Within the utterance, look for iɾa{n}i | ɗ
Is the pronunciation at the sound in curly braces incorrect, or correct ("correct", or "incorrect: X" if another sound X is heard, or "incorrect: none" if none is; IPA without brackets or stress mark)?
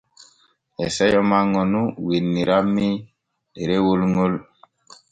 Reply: incorrect: m